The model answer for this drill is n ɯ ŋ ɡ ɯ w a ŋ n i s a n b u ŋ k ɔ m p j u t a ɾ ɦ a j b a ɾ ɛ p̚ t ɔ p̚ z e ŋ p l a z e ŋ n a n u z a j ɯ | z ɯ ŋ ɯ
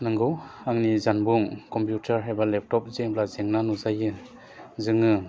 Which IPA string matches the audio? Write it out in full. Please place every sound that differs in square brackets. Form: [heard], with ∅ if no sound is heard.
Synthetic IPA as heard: n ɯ ŋ ɡ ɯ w a ŋ n i [z] a n b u ŋ k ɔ m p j u t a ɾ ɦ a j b a [l] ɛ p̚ t ɔ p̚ z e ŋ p l a z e ŋ n a n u z a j ɯ | z ɯ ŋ ɯ